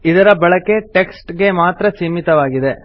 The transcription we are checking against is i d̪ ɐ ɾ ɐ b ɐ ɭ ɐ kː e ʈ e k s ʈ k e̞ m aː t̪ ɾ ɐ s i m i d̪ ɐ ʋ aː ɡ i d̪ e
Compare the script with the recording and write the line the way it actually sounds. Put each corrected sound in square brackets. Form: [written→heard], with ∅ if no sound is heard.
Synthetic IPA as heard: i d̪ ɐ ɾ ɐ b ɐ ɭ ɐ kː e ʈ e k s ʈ [k→ɡ] e̞ m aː t̪ ɾ ɐ s i m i [d̪→t̪] ɐ ʋ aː ɡ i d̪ e